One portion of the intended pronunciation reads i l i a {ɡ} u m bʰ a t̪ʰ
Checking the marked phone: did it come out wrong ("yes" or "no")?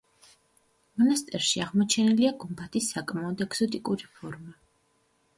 no